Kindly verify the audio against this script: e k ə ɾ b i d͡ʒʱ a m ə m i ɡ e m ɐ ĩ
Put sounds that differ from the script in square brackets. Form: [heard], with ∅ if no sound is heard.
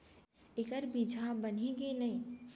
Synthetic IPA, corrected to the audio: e k ə ɾ b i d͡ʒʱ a [b] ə [n] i ɡ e [n] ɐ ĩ